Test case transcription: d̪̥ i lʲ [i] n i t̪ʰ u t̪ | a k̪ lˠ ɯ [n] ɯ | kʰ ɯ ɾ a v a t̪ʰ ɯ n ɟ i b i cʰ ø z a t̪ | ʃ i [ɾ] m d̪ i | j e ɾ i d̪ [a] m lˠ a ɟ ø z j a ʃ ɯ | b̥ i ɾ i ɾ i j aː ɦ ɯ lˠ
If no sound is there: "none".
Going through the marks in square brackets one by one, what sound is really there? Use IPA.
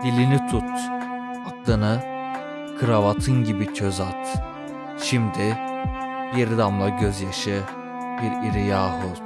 i, n, none, a

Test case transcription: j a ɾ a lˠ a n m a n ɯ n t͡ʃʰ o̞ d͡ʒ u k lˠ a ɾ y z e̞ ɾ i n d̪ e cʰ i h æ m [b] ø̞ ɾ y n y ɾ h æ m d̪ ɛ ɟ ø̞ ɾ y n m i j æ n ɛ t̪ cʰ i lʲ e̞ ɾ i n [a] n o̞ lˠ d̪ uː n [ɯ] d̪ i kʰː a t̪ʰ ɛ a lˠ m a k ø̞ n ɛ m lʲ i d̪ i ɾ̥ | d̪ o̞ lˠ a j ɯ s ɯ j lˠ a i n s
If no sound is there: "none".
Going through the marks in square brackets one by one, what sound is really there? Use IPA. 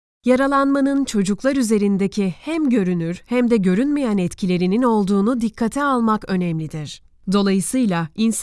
ɟ, i, u

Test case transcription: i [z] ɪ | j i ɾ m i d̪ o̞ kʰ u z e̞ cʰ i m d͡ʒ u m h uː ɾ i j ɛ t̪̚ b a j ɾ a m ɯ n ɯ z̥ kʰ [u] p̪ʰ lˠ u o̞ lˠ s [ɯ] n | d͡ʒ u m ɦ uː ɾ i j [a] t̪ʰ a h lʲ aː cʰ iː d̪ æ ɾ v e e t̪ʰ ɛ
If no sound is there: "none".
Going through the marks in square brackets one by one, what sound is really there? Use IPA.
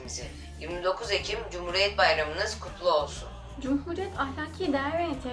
z, u, u, ɛ

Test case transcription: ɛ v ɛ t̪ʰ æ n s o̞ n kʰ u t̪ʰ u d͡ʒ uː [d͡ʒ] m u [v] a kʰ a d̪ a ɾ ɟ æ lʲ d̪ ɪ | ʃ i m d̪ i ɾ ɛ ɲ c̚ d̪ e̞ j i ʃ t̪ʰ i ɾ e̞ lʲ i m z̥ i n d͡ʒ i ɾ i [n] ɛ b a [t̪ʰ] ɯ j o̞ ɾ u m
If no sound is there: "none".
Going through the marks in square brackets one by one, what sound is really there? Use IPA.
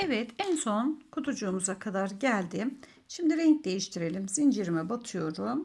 none, z, m, t̪ʰ

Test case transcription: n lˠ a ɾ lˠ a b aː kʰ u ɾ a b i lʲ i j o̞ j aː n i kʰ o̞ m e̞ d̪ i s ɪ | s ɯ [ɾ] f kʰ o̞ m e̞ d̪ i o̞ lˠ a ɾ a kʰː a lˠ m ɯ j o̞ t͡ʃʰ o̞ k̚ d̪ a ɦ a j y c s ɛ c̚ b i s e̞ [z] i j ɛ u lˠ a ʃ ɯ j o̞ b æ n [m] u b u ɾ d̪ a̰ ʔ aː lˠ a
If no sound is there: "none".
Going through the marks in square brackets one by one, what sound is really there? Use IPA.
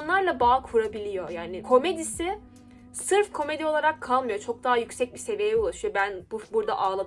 ɾ, v, b

